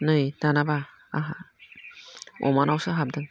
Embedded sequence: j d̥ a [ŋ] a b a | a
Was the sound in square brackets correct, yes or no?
no